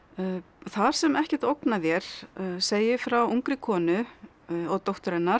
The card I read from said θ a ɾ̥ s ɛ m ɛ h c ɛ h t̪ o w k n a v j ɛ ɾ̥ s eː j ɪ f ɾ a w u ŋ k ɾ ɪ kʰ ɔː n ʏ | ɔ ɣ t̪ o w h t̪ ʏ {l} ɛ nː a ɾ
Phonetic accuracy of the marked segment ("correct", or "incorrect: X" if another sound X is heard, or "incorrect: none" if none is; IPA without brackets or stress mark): incorrect: ɾ